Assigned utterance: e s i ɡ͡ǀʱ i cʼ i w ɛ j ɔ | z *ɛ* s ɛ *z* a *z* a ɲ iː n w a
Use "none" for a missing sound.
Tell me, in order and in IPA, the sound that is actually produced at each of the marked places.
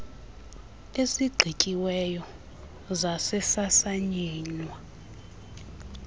a, s, s

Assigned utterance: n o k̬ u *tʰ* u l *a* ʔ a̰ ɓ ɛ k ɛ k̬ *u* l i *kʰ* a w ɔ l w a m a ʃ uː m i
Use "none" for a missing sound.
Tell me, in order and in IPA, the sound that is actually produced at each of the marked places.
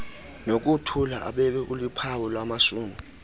tʰ, a, u, pʰ

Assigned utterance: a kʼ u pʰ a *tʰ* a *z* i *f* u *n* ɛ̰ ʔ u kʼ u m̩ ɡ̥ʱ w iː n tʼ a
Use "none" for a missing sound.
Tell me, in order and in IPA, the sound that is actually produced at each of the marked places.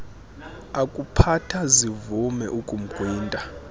tʰ, z, v, m

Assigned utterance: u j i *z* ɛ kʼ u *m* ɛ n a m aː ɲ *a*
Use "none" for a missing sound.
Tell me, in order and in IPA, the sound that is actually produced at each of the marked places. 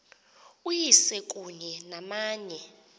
s, ɲ, ɛ

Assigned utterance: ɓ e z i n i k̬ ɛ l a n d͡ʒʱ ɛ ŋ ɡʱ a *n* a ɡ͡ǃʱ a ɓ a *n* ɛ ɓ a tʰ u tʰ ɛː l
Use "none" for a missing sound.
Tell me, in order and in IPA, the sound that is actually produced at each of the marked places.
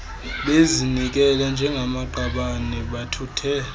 m, n

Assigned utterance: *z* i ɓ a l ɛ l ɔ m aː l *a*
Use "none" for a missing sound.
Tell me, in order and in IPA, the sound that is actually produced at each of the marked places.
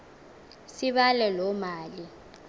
s, i

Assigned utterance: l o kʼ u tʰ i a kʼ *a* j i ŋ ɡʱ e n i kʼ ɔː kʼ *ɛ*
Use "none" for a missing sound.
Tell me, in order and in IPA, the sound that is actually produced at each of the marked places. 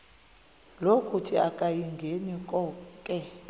a, ɛ

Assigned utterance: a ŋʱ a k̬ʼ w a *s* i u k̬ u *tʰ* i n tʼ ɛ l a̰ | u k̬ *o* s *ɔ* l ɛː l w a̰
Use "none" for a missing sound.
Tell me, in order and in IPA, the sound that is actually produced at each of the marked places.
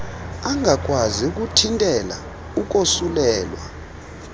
z, tʰ, o, u

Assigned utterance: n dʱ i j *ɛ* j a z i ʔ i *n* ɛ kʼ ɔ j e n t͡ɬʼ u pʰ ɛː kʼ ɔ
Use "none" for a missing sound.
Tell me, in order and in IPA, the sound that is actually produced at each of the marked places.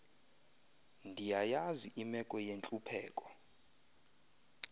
a, m

